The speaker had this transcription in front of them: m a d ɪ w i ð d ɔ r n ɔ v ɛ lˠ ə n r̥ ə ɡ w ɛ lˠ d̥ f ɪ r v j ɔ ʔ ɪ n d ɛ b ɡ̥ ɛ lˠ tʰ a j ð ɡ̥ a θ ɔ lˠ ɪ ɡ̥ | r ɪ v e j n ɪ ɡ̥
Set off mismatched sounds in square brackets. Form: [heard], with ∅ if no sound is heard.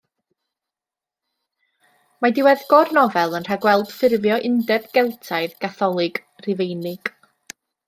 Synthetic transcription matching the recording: m a d ɪ w [ɛ] ð [ɡ] ɔ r n ɔ v ɛ lˠ ə n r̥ [a] ɡ w ɛ lˠ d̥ f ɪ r v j ɔ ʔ ɪ n d ɛ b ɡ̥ ɛ lˠ tʰ a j ð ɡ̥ a θ ɔ lˠ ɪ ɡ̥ | r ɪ v e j n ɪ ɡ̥